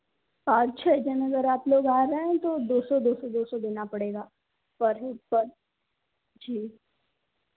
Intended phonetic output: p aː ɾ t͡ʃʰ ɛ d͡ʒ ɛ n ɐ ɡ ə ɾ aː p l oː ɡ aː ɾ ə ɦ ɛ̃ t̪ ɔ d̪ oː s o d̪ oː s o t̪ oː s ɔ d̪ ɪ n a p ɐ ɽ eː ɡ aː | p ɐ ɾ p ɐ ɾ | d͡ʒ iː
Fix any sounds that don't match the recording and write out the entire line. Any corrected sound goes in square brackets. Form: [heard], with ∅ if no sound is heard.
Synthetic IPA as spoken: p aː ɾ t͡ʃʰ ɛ d͡ʒ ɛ n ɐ ɡ ə ɾ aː p l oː ɡ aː ɾ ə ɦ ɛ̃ t̪ [o] d̪ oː s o d̪ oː s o [d̪] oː s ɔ d̪ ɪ n a p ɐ ɽ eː ɡ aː | p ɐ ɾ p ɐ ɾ | d͡ʒ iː